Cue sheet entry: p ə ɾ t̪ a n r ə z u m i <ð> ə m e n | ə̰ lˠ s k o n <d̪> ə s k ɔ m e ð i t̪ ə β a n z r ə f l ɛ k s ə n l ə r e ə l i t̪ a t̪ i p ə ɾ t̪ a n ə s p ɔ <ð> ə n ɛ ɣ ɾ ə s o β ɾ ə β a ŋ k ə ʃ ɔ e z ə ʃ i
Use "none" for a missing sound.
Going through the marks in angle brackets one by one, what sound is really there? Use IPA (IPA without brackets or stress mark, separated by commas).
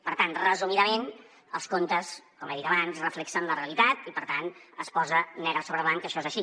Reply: ð, t̪, z